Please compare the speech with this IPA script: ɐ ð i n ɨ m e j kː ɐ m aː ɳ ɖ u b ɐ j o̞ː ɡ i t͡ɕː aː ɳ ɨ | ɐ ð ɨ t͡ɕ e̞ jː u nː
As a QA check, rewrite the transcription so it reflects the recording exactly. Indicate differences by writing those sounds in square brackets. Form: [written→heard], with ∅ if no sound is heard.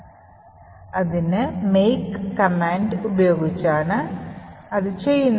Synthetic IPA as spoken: ɐ ð i n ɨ m e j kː ɐ m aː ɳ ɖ u b ɐ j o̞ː ɡ i t͡ɕː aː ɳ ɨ | ɐ ð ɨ t͡ɕ e̞ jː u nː